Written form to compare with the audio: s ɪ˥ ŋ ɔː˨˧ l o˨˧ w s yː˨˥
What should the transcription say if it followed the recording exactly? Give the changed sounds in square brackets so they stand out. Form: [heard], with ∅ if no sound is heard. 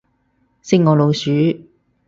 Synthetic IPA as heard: s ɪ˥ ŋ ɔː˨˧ l o˨˧ w s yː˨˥